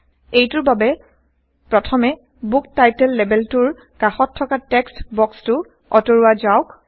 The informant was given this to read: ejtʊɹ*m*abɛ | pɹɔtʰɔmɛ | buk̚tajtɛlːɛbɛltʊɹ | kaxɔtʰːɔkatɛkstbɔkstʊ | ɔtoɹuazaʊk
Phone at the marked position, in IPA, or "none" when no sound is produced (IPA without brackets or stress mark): b